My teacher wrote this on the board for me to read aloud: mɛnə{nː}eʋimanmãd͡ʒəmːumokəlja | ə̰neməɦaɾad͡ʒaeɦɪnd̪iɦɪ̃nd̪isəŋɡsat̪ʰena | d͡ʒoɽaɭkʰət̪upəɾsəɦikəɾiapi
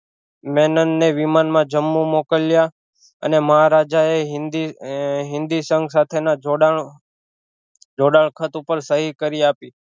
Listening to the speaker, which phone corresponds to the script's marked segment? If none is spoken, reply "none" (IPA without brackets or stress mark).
nː